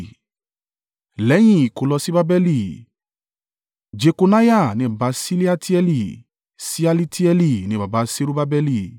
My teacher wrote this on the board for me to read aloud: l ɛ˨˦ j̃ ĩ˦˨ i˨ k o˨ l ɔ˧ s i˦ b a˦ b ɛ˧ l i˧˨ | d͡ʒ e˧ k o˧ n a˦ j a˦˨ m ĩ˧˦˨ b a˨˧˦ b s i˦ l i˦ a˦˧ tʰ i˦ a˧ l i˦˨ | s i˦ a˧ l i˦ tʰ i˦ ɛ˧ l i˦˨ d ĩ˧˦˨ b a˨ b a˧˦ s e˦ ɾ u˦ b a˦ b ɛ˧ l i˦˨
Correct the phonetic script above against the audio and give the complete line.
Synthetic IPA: l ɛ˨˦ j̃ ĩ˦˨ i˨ k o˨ l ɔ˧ s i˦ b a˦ b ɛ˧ l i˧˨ | d͡ʒ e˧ k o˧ n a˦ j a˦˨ n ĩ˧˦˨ b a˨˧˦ s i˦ l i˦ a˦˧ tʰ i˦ ɛ˧ l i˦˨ | s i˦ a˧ l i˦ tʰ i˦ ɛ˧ l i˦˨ n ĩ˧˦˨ b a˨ b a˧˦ s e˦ ɾ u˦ b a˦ b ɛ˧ l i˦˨